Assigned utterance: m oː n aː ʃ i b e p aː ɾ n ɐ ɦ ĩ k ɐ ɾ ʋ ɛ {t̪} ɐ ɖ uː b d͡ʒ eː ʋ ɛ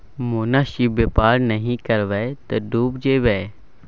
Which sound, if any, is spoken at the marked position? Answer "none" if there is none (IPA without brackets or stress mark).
t̪